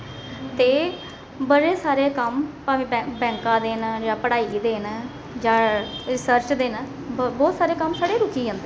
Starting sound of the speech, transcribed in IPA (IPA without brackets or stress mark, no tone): t̪